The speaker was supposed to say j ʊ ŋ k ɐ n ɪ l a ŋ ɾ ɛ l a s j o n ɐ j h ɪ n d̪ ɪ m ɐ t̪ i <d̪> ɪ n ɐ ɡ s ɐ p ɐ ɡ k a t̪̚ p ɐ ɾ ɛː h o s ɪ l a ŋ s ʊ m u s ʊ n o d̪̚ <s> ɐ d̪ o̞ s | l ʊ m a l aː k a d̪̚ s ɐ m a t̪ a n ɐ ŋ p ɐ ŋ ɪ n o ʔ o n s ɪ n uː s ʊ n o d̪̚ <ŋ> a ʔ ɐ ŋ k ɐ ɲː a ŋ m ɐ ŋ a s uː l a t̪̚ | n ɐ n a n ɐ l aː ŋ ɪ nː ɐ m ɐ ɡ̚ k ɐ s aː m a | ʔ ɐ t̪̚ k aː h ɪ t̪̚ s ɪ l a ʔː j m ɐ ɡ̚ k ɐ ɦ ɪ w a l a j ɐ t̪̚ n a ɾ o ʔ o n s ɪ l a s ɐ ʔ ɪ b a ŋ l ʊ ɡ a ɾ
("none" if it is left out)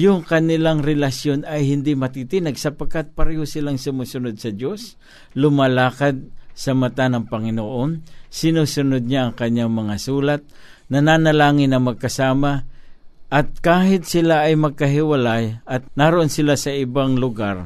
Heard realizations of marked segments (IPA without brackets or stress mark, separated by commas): t̪, s, ɲ